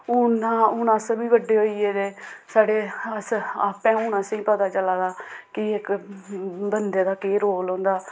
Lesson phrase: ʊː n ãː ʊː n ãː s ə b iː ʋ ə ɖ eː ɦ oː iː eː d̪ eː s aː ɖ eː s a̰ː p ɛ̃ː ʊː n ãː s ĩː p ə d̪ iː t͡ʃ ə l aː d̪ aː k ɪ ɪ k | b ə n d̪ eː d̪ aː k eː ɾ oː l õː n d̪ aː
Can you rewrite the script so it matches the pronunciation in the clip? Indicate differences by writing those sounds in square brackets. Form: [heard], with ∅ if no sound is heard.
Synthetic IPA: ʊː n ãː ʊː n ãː s ə b iː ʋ ə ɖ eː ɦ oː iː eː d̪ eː s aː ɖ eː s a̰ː p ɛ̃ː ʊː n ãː s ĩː p ə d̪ [aː] t͡ʃ ə l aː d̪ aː k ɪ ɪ k | b ə n d̪ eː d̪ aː k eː ɾ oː l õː n d̪ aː

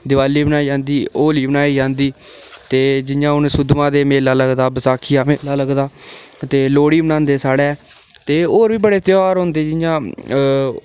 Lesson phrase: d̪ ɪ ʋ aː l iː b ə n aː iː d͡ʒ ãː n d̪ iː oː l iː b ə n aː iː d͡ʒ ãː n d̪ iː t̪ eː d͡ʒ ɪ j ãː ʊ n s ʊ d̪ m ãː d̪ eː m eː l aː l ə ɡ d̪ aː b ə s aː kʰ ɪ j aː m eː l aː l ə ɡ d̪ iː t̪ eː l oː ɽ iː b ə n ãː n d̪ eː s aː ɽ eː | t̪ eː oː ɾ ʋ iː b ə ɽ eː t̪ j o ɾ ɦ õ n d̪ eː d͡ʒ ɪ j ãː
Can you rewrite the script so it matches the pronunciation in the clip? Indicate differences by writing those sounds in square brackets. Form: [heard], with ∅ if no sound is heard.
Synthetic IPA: d̪ ɪ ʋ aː l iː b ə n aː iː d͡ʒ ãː n d̪ iː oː l iː b ə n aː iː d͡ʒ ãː n d̪ iː t̪ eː d͡ʒ ɪ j ãː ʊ n s ʊ d̪ m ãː d̪ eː m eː l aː l ə ɡ d̪ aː b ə s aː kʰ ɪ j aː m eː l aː l ə ɡ d̪ [aː] t̪ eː l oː ɽ iː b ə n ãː n d̪ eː s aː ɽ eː | t̪ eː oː ɾ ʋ iː b ə ɽ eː t̪ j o ɾ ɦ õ n d̪ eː d͡ʒ ɪ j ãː

